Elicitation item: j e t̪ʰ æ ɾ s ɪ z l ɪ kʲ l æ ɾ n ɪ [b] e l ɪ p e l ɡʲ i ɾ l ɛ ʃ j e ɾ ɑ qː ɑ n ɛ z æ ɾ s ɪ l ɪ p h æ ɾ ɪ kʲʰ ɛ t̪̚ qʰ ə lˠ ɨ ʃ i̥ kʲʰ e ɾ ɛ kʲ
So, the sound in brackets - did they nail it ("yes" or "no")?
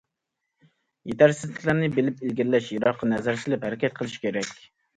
yes